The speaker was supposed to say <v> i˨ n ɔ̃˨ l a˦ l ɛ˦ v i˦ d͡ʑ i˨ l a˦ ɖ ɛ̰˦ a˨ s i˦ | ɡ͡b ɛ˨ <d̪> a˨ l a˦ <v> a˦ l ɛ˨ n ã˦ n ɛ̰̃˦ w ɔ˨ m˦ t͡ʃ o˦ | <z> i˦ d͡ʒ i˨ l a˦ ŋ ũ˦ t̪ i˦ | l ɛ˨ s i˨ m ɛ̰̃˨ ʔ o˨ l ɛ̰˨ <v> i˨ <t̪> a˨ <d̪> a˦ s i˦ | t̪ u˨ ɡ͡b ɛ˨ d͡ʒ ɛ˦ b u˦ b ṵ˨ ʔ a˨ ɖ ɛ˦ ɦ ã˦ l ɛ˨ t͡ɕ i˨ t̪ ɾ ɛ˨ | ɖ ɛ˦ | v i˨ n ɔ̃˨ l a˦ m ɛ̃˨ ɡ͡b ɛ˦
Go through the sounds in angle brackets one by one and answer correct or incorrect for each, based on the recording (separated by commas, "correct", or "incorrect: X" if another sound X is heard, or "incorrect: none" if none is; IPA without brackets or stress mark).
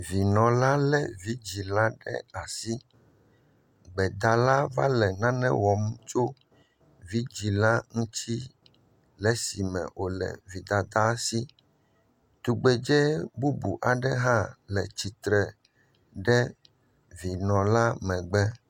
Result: correct, correct, correct, incorrect: v, correct, incorrect: d̪, correct